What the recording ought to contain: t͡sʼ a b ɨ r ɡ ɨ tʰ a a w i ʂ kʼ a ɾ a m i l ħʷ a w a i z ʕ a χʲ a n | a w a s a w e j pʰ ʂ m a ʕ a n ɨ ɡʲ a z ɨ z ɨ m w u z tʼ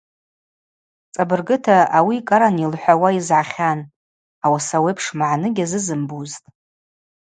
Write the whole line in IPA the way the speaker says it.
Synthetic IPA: t͡sʼ a b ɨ r ɡ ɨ tʰ a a w i kʼ a ɾ a n i l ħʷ a w a i z ʕ a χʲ a n | a w a s a w e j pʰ ʂ m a ʕ a n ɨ ɡʲ a z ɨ z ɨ m b u z tʼ